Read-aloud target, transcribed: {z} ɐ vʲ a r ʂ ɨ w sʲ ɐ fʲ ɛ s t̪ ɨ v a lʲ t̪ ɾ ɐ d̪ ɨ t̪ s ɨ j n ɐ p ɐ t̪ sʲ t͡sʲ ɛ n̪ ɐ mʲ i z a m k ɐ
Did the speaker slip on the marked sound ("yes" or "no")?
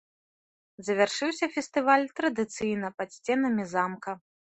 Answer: no